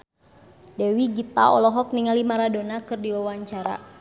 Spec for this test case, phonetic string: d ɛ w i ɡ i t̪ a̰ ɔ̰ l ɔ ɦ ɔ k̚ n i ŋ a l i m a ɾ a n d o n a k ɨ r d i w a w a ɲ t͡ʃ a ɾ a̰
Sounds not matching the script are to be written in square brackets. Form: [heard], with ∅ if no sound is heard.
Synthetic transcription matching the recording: d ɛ w i ɡ i t̪ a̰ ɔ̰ l ɔ ɦ ɔ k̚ n i ŋ a l i m a ɾ a [∅] d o n a k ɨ r d i w a w a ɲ t͡ʃ a ɾ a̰